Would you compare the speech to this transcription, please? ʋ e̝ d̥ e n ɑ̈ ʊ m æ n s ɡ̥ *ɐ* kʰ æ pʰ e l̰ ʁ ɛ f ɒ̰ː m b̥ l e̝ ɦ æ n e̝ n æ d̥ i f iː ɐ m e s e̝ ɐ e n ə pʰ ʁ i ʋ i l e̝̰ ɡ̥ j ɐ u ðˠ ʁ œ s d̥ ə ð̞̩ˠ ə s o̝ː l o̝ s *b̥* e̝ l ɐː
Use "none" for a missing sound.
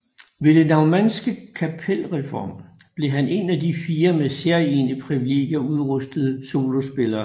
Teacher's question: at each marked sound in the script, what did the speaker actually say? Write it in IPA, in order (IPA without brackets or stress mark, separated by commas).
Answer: ə, b̥